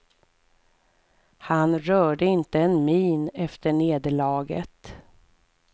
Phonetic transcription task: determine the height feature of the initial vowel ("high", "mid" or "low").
low